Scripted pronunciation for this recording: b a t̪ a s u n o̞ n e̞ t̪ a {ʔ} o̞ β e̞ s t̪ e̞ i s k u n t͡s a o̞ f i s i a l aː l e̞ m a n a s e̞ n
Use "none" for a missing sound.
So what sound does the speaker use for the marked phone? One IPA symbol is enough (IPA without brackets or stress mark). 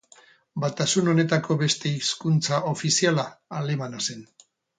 k